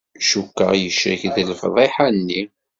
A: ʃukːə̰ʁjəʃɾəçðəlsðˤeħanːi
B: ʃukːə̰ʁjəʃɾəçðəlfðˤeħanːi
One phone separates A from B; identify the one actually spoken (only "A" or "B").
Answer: B